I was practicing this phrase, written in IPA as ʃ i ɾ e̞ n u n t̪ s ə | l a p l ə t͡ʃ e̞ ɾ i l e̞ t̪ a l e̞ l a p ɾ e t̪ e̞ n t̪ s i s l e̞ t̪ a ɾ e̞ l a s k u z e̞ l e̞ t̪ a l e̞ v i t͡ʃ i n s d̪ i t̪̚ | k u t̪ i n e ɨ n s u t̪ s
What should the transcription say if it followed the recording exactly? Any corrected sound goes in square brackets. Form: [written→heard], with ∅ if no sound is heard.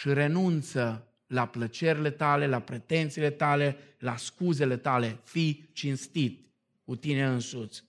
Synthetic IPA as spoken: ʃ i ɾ e̞ n u n t̪ s ə | l a p l ə t͡ʃ e̞ ɾ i l e̞ t̪ a l e̞ l a p ɾ e t̪ e̞ n t̪ s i [s→∅] l e̞ t̪ a [ɾ→l] e̞ l a s k u z e̞ l e̞ t̪ a l e̞ [v→f] i t͡ʃ i n s [d̪→t̪] i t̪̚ | k u t̪ i n e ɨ n s u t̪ s